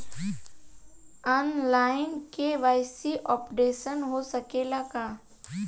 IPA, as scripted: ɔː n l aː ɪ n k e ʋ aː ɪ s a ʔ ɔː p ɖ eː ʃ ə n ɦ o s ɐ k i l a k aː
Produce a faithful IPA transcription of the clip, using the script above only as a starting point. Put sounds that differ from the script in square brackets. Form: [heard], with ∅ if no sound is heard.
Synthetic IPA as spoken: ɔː n l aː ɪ n k e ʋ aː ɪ s [i] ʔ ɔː p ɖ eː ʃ ə n ɦ o s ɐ k [e] l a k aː